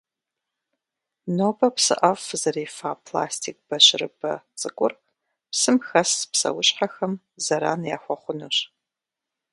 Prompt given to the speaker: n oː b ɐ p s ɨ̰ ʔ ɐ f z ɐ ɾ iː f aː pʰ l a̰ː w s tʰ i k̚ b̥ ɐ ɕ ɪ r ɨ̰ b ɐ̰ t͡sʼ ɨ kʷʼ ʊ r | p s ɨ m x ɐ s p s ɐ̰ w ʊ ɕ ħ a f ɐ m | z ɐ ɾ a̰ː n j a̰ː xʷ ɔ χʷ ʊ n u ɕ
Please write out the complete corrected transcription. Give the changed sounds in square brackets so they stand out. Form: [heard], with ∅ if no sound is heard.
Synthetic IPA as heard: n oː b ɐ p s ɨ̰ ʔ ɐ f z ɐ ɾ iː f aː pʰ l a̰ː [∅] s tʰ i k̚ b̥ ɐ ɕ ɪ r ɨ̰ b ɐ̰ t͡sʼ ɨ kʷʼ ʊ r | p s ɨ m x ɐ s p s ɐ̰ w ʊ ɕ ħ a [x] ɐ m | z ɐ ɾ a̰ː n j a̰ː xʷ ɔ χʷ ʊ n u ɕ